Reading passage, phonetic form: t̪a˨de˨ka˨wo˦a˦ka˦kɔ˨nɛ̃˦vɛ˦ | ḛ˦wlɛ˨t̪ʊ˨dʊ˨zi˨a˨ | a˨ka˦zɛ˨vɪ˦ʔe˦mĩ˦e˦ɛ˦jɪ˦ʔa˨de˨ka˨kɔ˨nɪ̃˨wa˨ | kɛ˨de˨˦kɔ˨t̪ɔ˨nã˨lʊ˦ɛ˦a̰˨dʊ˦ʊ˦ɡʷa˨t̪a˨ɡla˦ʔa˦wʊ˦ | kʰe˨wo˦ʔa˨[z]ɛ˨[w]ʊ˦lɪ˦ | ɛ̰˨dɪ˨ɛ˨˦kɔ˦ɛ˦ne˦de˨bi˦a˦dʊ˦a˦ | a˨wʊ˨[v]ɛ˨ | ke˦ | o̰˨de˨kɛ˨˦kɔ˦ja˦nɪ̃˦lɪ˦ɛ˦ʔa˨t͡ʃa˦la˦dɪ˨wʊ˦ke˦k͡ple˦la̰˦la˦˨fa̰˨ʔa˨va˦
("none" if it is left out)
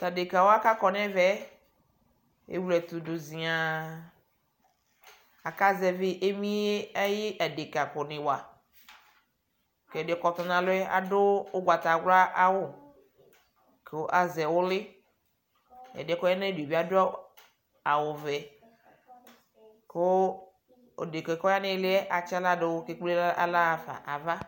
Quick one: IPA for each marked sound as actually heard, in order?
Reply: z, w, v

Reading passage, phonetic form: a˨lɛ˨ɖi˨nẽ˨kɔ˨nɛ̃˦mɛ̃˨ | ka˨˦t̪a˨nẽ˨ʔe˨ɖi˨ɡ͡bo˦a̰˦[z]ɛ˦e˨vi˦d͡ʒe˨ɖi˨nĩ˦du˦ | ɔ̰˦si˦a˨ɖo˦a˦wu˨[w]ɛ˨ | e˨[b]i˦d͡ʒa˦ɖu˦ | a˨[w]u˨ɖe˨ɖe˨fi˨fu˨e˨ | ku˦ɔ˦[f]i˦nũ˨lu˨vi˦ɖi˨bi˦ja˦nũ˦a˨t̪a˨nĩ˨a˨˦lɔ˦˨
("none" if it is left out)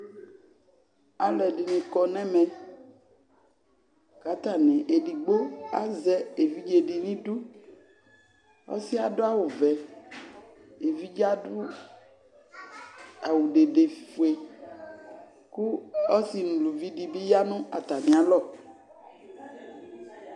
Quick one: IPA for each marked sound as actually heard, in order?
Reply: z, v, v, w, s

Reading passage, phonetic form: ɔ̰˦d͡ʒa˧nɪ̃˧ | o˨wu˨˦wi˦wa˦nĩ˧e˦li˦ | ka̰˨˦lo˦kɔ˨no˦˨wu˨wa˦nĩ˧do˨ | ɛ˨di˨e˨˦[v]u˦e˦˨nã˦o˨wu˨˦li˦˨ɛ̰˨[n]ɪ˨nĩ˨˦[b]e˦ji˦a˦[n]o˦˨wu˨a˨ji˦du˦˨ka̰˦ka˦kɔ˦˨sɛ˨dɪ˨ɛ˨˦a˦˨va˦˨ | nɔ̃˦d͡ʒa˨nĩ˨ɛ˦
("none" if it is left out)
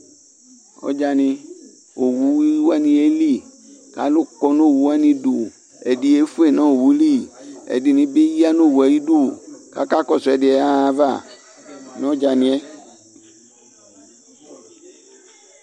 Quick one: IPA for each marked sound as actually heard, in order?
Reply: f, d, b, n

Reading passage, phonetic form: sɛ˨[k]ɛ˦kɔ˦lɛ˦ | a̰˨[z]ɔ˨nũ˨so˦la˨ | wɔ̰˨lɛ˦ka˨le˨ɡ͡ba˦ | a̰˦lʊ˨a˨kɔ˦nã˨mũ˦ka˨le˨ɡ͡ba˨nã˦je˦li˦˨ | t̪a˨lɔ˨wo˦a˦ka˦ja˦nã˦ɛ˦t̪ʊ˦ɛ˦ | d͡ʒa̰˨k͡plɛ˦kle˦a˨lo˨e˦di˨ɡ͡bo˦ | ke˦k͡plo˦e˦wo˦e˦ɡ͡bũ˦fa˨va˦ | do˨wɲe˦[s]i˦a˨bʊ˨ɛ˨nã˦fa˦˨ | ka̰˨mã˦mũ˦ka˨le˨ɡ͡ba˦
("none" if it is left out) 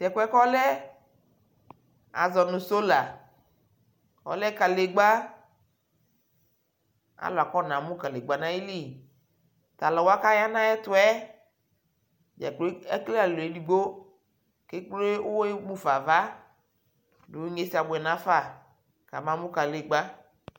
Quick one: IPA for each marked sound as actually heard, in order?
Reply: k, z, s

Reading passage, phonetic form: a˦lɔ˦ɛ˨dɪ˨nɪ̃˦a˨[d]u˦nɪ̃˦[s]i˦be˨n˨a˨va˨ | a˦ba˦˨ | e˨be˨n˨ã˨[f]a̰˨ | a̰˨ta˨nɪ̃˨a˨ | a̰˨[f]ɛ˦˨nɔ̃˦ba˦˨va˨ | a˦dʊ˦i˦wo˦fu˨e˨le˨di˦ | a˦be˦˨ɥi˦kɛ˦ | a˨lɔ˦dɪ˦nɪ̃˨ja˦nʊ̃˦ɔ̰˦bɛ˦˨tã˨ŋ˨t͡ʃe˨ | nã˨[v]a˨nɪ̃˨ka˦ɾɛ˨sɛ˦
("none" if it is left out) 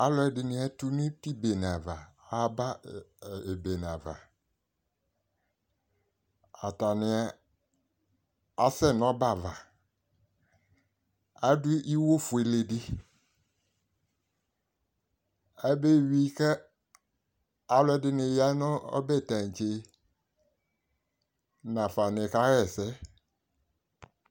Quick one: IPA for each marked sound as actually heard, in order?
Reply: t, t, v, s, f

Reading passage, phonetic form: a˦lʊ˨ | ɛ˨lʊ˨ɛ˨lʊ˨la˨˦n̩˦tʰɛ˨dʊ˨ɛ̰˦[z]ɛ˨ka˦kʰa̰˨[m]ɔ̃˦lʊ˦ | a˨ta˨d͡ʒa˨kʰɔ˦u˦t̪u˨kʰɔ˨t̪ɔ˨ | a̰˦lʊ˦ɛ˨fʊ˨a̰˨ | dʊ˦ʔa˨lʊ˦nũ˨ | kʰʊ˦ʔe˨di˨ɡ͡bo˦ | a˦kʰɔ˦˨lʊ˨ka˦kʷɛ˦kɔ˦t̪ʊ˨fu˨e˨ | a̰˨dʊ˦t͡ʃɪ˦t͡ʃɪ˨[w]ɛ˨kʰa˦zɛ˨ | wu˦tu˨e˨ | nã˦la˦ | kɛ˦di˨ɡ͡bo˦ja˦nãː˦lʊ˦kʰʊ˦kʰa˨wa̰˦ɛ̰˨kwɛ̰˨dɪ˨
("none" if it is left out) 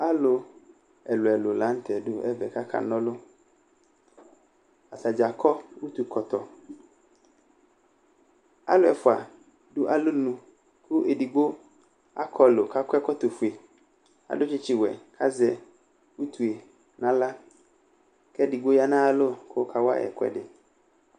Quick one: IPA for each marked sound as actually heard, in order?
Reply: v, n, w

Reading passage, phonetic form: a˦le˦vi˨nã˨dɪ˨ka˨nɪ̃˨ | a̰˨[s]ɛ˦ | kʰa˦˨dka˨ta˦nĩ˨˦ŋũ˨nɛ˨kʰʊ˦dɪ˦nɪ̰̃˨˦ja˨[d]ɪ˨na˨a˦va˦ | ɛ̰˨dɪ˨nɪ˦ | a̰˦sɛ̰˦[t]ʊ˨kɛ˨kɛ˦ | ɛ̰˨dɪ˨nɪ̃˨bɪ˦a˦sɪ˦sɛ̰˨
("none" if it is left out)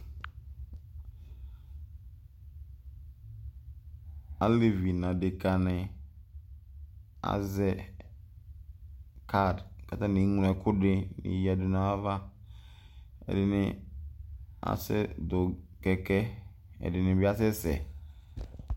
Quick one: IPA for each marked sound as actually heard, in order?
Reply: z, d, d

